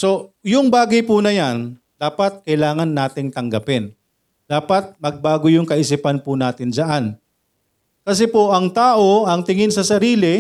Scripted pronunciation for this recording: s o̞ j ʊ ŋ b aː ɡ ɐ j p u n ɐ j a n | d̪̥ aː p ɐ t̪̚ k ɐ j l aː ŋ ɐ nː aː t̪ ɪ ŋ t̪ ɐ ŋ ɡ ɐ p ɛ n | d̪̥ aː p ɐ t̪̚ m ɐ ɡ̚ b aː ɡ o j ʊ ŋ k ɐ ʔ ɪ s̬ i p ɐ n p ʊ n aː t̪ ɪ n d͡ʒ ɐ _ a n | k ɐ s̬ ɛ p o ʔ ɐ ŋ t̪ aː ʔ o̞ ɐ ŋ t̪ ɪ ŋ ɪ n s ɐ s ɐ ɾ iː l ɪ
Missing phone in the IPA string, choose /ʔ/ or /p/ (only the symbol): ʔ